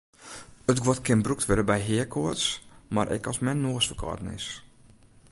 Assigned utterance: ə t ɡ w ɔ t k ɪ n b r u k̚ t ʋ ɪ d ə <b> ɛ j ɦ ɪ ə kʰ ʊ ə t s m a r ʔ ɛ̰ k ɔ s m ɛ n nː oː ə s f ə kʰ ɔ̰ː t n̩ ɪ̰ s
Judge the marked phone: correct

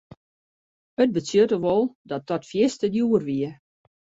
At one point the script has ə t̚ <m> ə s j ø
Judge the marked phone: incorrect: b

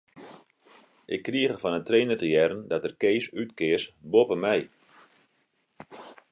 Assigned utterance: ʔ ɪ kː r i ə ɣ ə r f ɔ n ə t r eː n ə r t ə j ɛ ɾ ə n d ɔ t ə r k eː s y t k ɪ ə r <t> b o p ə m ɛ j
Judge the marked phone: incorrect: s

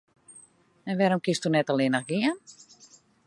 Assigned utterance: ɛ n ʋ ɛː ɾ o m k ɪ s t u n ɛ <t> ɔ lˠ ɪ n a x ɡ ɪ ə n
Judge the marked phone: correct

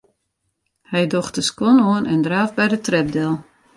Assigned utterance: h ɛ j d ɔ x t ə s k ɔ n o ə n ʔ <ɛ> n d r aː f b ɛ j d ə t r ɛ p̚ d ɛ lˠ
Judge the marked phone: correct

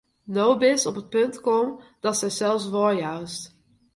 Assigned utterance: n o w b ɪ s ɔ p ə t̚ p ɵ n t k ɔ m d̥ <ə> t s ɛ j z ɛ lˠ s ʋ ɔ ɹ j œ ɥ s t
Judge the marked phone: incorrect: ɑ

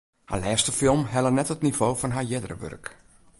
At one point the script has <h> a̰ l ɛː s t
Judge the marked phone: correct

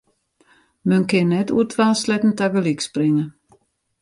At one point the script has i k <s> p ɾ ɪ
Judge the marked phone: correct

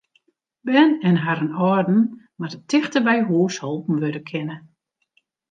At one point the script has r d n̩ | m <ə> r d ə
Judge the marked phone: incorrect: a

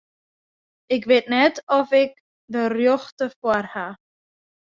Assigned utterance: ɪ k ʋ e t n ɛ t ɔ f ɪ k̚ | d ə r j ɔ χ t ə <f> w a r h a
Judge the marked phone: correct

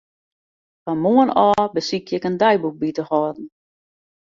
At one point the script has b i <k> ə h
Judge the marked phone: incorrect: t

